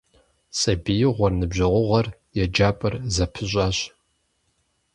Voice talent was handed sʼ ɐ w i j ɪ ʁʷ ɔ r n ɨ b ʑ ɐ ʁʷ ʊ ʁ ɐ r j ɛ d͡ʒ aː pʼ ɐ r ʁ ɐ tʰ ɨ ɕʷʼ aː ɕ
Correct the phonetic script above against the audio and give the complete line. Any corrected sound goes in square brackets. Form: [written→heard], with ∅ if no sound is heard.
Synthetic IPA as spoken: sʼ ɐ [w→b] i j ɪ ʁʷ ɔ r n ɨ b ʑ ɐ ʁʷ ʊ ʁ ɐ r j ɛ d͡ʒ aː pʼ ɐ r [ʁ→z] ɐ [tʰ→pʰ] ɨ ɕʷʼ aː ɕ